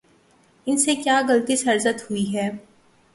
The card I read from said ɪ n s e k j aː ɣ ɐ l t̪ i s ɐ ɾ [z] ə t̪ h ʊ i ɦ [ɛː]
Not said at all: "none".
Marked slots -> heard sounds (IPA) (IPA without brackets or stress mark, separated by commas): z, ɛː